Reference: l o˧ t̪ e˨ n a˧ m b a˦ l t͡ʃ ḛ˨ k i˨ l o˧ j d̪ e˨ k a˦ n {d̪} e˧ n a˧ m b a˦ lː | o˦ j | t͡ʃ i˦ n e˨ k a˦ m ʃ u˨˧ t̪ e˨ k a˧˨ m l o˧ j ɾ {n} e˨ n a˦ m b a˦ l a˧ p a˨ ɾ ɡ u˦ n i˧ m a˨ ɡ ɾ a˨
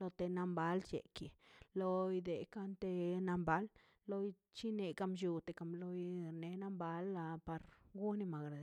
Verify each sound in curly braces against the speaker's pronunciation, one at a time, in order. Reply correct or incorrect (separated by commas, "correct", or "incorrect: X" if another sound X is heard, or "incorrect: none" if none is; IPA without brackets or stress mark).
incorrect: t̪, correct